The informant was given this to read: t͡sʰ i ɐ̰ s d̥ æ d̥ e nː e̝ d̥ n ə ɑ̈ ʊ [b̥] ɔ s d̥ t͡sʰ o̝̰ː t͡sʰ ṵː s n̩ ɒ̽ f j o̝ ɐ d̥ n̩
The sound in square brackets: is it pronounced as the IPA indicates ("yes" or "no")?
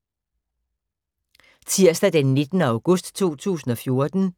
no